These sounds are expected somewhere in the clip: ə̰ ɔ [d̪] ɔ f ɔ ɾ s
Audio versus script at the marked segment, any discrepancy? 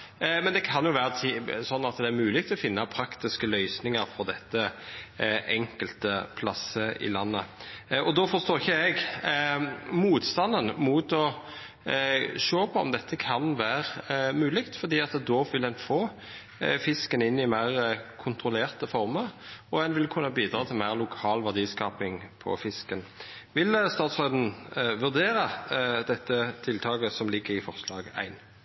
no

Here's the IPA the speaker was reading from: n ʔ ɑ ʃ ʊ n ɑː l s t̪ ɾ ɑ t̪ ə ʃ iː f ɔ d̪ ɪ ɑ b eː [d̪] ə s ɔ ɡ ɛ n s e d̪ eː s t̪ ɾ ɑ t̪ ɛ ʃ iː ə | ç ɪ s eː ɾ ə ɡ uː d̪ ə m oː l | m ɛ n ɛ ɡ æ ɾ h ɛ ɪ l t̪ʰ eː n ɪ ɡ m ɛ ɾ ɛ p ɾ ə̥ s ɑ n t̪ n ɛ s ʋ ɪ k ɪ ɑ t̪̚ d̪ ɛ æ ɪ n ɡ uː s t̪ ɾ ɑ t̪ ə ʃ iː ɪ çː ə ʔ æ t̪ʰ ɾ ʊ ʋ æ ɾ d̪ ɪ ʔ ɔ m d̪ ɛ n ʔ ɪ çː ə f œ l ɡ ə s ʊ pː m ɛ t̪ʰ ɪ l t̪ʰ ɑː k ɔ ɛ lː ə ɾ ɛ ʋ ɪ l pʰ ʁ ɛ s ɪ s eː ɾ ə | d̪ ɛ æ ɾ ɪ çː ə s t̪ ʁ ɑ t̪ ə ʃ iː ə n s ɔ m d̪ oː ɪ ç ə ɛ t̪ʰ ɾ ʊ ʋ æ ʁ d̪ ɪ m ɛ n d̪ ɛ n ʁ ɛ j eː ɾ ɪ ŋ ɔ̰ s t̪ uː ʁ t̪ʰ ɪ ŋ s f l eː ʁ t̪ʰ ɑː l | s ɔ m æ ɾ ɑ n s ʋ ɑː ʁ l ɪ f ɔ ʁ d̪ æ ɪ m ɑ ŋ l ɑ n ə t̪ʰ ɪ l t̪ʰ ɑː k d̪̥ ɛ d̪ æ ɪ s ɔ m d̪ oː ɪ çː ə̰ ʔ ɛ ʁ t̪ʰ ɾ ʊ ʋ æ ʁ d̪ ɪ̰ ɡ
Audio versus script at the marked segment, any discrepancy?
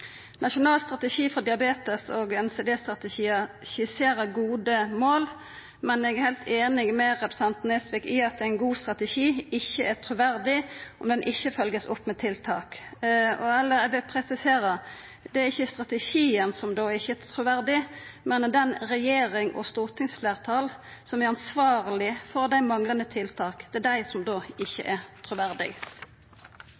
yes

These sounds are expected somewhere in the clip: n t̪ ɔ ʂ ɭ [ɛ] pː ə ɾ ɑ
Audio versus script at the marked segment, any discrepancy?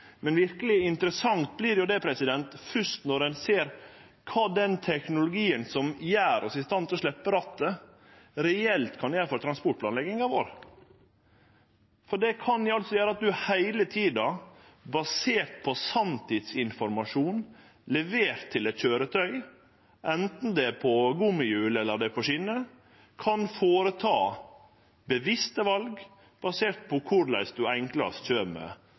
no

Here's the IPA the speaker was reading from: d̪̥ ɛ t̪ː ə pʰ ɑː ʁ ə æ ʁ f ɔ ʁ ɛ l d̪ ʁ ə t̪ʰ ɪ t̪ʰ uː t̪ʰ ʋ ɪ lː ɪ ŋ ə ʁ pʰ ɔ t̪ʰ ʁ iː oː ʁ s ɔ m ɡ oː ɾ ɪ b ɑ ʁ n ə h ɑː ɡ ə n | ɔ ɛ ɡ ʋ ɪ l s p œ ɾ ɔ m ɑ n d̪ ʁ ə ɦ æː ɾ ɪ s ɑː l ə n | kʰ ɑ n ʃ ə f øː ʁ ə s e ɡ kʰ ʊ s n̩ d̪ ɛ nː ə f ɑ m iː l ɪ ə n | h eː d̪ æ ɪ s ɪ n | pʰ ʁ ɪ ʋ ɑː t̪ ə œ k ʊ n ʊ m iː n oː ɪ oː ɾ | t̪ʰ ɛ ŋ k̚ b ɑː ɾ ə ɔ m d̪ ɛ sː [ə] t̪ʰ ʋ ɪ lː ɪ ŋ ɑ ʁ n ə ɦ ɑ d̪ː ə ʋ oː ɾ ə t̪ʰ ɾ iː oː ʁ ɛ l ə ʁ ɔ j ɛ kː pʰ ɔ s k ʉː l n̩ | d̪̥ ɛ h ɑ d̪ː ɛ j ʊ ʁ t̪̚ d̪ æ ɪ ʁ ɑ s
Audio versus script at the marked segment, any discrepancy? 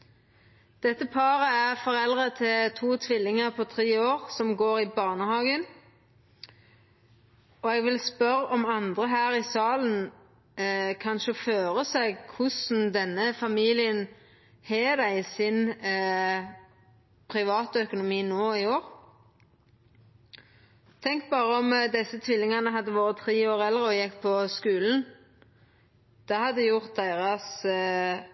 no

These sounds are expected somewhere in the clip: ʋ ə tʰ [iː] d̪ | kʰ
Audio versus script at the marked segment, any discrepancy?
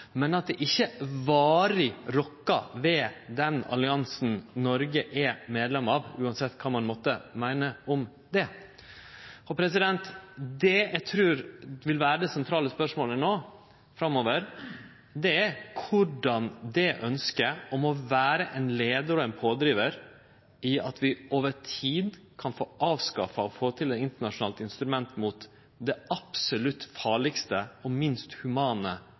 no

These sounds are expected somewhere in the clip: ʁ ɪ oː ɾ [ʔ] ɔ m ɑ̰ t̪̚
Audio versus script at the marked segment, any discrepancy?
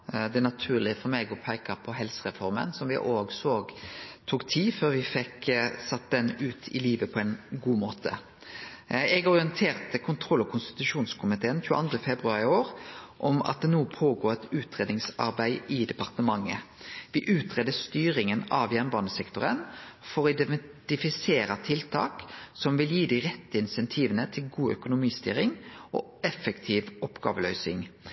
no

